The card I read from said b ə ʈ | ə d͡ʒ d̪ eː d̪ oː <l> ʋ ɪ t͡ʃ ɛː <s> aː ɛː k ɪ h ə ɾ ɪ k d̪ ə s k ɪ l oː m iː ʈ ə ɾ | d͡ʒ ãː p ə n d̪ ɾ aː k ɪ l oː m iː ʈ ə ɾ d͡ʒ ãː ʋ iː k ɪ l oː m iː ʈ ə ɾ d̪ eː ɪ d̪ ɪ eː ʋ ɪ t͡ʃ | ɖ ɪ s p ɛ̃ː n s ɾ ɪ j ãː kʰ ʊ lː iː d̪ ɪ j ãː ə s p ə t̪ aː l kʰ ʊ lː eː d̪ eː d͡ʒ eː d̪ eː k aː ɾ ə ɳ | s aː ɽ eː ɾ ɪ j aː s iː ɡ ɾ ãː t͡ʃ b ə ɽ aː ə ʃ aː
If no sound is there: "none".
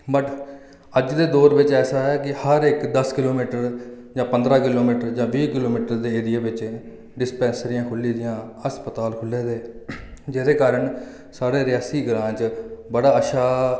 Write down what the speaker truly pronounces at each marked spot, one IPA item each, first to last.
ɾ, s

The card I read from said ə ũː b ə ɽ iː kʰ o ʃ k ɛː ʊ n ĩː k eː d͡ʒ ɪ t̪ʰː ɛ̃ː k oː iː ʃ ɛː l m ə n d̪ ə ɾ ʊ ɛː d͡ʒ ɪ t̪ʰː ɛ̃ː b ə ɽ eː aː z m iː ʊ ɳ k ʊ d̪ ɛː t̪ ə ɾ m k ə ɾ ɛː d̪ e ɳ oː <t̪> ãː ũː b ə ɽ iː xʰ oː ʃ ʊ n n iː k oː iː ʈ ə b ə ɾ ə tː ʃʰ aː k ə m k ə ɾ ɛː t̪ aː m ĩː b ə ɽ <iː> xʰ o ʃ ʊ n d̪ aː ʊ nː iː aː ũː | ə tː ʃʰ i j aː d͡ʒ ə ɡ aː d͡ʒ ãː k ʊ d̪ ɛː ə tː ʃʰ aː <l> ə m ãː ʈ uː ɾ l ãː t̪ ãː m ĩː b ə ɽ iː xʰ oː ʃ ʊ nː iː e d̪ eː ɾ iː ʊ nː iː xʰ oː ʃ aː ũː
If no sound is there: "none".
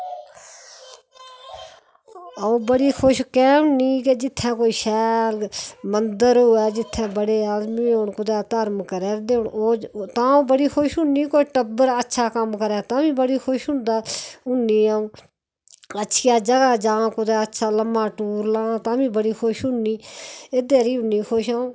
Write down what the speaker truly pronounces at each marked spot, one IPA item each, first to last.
t̪, iː, l

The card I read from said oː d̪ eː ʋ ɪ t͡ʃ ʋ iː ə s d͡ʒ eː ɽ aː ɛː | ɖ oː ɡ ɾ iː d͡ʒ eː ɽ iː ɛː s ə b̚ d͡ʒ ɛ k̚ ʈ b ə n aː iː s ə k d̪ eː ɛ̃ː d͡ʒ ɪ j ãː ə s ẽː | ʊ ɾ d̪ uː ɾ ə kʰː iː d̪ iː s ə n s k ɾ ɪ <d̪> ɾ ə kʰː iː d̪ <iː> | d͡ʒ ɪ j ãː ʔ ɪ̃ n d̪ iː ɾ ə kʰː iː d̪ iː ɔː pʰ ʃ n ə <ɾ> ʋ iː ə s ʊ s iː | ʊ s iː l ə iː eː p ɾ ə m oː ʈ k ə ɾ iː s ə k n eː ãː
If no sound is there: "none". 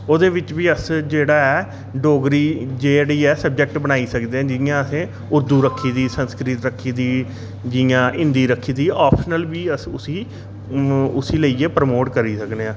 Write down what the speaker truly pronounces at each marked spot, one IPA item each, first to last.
t̪, iː, l

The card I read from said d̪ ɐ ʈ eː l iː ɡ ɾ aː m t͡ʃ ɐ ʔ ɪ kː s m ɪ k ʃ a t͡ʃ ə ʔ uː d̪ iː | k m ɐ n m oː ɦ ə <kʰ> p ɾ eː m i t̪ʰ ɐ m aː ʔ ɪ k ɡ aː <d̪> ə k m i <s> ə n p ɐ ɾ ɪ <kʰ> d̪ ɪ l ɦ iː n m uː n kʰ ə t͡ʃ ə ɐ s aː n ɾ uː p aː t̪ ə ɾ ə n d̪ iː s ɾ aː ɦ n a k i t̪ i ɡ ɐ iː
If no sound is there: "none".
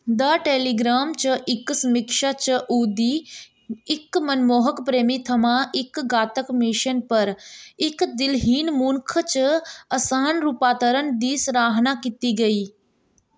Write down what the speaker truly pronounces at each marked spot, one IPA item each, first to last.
k, t̪, ʃ, k

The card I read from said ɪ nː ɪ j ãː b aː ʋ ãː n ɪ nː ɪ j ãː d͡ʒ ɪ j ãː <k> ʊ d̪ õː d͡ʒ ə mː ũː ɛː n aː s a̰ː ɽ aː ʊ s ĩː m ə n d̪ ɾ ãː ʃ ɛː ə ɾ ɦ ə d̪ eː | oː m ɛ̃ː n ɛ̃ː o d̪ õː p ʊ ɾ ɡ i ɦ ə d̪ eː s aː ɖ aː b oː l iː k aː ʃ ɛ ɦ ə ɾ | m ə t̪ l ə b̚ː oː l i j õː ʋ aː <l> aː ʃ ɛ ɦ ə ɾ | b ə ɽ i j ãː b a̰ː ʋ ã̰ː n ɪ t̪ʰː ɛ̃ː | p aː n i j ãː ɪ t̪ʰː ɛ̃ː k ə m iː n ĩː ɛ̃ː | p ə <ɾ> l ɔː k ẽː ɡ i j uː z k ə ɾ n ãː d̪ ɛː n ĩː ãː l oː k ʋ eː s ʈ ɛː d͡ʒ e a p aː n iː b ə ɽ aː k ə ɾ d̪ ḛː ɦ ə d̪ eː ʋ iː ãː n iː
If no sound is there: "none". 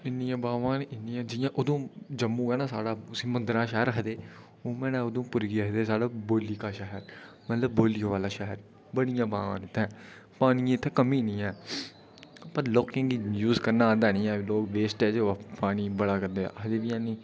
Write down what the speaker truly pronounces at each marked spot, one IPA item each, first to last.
ʔ, l, ɾ

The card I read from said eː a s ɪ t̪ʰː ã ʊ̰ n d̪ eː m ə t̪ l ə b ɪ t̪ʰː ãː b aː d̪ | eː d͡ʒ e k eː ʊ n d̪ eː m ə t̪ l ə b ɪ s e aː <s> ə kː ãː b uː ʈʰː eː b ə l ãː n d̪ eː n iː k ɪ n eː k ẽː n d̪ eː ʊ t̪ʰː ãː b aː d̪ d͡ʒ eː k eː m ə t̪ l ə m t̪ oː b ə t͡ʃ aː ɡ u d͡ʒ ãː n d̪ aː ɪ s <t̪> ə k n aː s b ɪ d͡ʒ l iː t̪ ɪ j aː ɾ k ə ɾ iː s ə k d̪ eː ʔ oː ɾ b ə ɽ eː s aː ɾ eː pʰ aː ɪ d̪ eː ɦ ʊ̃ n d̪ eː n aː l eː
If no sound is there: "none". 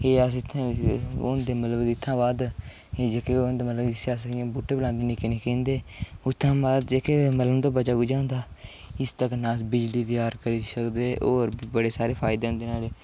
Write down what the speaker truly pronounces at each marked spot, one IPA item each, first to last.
s, t̪

